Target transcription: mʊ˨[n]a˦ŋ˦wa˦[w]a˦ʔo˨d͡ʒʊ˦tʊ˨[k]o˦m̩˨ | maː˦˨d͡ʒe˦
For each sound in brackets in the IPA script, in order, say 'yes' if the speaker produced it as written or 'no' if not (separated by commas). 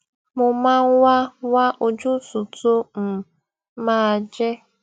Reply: no, yes, no